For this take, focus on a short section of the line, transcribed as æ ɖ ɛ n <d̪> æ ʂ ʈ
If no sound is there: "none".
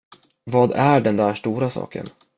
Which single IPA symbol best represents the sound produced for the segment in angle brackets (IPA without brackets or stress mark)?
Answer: d̪